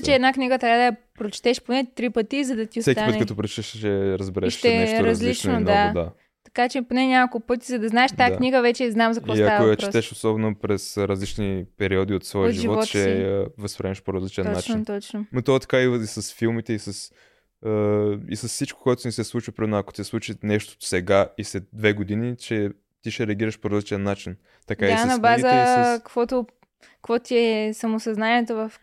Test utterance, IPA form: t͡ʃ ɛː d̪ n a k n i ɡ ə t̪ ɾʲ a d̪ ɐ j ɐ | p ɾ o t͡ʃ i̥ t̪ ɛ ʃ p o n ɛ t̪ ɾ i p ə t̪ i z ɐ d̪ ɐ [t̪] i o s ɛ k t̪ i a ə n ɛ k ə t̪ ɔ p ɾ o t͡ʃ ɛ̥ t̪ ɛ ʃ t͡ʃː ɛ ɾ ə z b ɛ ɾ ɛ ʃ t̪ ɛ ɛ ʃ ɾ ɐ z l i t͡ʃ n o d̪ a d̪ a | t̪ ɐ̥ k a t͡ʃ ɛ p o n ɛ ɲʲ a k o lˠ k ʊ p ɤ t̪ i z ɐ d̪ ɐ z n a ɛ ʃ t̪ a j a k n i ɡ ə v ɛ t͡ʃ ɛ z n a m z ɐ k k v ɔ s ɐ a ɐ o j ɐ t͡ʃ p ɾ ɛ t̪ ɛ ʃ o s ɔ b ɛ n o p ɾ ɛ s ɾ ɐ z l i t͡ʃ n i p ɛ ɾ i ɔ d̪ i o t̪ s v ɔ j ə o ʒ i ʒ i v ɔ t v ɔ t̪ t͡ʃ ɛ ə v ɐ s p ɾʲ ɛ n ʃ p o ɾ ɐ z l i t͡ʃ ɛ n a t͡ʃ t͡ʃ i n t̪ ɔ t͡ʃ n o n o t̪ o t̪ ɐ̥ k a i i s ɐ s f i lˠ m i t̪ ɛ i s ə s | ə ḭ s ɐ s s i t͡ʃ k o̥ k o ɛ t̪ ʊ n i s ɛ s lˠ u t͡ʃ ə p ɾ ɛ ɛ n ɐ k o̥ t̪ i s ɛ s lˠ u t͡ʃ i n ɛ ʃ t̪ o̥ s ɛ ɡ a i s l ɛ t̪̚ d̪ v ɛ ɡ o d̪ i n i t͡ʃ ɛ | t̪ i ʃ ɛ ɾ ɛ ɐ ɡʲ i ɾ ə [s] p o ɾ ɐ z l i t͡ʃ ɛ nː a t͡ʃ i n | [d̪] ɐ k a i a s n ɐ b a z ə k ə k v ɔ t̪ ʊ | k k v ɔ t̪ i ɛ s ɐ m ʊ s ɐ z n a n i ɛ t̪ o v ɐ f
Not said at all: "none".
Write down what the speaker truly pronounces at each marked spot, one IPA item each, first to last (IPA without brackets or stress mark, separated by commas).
t̪, ʃ, t̪